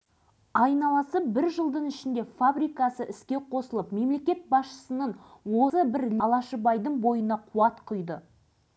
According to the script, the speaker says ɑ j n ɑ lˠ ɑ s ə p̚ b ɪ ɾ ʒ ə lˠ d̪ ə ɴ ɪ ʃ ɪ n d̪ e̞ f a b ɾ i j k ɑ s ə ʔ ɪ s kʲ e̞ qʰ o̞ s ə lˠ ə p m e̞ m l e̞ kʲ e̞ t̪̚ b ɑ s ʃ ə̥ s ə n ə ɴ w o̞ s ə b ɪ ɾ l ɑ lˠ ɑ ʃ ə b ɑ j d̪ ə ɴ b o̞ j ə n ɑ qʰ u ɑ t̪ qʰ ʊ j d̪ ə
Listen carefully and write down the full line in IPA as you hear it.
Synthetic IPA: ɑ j n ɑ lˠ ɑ s ə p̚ b ɪ ɾ ʒ ə lˠ d̪ ə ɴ ɪ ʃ ɪ n d̪ e̞ f a b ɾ i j k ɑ s ə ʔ ɪ s kʲ e̞ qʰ o̞ s ə lˠ ə p m e̞ m l e̞ kʲ e̞ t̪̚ b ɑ s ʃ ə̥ s ə n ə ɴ w o̞ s ə b ɪ ɾ l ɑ lˠ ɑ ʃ ə b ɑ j d̪ ə ɴ b o̞ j ə n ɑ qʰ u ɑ t̪ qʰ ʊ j d̪ ə